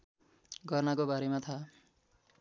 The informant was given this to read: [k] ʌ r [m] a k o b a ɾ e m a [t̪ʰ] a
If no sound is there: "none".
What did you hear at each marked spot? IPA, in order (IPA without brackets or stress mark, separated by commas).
ɡ, n, t̪ʰ